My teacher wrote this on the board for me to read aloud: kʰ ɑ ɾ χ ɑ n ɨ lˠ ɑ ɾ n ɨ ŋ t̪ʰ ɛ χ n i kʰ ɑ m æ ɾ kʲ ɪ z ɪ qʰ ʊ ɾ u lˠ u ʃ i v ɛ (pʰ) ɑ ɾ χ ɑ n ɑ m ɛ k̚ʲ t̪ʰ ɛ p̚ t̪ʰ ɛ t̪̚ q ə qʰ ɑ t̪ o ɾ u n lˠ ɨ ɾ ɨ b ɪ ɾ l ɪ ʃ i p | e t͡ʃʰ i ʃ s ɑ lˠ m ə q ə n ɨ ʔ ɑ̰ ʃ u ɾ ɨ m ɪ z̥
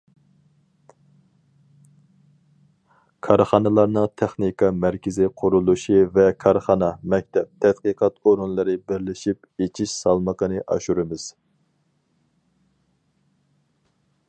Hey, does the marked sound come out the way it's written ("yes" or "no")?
no